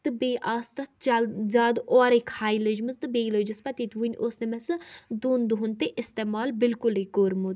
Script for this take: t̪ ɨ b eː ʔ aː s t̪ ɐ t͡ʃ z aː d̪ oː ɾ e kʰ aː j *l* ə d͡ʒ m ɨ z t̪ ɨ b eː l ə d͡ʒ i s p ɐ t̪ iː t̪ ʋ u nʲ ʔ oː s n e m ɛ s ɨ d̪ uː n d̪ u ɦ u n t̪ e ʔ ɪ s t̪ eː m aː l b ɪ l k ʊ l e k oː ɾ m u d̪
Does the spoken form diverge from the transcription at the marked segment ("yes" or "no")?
no